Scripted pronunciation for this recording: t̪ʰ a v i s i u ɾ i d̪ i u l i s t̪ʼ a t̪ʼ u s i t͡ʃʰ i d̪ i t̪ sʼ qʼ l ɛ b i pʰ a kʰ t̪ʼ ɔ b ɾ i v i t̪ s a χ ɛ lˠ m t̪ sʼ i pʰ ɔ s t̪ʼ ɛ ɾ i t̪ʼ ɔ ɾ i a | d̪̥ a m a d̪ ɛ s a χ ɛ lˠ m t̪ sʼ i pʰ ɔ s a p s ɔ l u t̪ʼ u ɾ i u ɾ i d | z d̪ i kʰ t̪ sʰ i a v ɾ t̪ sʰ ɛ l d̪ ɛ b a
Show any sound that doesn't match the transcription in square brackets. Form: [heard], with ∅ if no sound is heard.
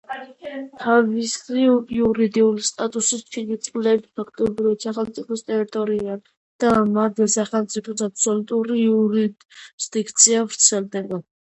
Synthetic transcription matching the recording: t̪ʰ a v i s i u ɾ i d̪ i u l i s t̪ʼ a t̪ʼ u s i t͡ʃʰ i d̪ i t̪ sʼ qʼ l ɛ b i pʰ a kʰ t̪ʼ ɔ b ɾ i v [a] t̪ s a χ ɛ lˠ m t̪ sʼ i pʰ ɔ s t̪ʼ ɛ ɾ i t̪ʼ ɔ ɾ i a | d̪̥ a m a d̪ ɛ s a χ ɛ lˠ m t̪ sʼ i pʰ ɔ s a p s ɔ l u t̪ʼ u ɾ i u ɾ i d | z d̪ i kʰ t̪ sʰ i a v ɾ t̪ sʰ ɛ l d̪ ɛ b a